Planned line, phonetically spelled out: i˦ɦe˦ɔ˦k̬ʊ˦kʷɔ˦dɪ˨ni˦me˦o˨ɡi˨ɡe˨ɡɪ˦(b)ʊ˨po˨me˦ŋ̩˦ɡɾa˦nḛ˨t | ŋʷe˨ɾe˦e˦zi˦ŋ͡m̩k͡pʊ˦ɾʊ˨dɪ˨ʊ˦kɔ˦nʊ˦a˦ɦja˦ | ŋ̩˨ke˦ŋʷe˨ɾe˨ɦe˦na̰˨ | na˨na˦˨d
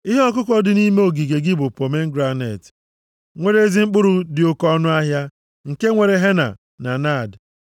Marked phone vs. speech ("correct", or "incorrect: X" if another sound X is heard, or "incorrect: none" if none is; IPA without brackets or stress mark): correct